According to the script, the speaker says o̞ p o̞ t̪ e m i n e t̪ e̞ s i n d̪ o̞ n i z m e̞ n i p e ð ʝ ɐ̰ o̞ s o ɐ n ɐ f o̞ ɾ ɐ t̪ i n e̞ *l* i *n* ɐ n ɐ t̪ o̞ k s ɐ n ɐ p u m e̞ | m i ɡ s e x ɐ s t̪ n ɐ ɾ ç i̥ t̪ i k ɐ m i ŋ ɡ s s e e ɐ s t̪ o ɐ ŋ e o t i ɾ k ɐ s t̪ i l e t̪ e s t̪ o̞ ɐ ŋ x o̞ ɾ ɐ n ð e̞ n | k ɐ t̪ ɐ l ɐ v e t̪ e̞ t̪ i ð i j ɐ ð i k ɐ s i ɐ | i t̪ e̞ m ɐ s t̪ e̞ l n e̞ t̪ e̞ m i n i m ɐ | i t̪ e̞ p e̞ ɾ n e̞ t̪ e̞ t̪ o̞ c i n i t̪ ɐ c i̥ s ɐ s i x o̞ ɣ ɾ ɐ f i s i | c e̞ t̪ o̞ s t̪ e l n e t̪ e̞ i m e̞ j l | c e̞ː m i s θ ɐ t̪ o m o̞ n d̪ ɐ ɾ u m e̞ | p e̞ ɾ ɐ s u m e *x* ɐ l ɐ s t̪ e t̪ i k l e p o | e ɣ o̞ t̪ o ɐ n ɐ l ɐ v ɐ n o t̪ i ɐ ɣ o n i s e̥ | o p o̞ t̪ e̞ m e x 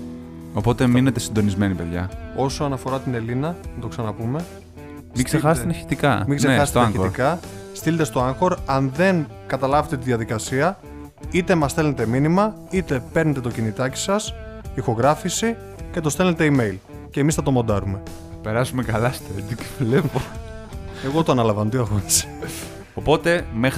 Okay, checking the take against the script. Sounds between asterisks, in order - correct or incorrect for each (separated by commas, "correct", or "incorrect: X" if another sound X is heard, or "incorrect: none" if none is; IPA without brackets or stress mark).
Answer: correct, correct, incorrect: k